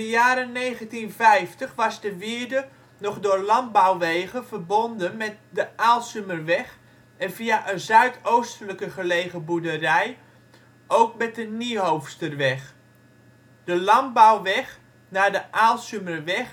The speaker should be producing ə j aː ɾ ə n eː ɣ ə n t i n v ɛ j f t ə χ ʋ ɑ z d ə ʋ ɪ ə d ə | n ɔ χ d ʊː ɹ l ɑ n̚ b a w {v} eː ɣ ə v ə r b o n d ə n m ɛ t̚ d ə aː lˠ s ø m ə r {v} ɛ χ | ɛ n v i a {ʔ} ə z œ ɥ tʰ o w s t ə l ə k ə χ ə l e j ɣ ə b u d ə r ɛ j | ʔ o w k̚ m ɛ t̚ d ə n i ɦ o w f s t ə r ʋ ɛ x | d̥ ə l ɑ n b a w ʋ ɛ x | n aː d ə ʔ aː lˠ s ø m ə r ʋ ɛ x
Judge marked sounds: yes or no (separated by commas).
no, no, yes